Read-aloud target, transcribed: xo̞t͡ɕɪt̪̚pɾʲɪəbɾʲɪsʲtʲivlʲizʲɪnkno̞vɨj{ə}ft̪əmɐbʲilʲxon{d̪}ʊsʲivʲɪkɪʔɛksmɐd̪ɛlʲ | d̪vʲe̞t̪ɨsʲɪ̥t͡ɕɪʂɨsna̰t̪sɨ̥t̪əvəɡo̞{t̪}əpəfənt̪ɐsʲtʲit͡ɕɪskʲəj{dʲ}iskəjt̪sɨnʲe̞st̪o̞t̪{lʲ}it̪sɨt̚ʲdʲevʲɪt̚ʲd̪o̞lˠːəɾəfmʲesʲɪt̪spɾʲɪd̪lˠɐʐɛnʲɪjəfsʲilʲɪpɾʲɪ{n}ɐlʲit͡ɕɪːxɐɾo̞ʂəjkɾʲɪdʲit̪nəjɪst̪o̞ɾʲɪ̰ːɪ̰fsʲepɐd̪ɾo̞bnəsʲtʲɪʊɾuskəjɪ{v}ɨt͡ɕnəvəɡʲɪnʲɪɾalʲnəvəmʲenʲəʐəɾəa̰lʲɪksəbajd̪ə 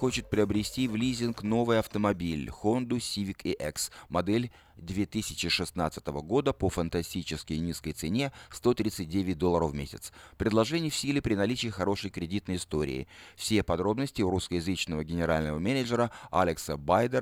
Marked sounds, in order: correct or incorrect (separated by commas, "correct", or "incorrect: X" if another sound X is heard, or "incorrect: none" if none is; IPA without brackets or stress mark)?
incorrect: ɐ, correct, incorrect: d̪, incorrect: nʲ, incorrect: ɾʲ, correct, incorrect: z